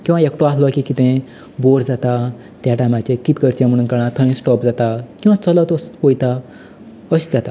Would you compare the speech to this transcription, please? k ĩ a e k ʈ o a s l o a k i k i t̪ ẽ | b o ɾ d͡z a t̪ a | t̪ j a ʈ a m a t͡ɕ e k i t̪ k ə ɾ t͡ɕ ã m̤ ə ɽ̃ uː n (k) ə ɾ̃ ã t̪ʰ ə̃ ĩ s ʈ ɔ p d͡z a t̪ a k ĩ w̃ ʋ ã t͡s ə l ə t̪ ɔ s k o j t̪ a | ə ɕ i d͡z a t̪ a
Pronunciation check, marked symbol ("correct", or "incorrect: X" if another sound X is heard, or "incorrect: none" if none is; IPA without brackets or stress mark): correct